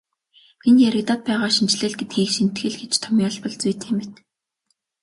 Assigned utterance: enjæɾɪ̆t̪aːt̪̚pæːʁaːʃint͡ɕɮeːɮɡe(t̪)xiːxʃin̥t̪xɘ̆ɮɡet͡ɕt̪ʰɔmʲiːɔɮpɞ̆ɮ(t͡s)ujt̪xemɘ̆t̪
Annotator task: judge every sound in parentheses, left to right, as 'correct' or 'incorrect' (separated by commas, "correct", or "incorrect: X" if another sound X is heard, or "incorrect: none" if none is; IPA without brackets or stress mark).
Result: correct, correct